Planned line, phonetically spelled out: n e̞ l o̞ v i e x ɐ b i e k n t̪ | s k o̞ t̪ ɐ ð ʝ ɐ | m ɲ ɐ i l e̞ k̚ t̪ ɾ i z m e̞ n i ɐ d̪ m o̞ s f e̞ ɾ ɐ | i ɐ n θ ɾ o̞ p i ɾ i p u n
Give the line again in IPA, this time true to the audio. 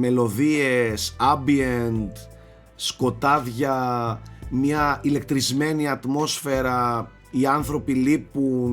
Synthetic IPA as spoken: m e̞ l o̞ ð i e s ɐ b i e n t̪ | s k o̞ t̪ ɐ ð ʝ ɐ | m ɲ ɐ i l e̞ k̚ t̪ ɾ i z m e̞ n i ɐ t̪ m o̞ s f e̞ ɾ ɐ | i ɐ n θ ɾ o̞ p i l i p u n